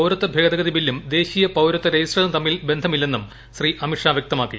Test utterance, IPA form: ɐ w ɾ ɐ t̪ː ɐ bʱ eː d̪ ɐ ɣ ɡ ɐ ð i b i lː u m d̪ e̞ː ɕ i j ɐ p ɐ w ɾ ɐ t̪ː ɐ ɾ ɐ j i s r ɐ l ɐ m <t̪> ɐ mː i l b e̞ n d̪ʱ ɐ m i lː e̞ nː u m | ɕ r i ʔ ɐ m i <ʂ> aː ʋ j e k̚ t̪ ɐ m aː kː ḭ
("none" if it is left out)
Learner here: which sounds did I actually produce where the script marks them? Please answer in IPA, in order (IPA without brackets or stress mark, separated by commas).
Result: t̪, ʂ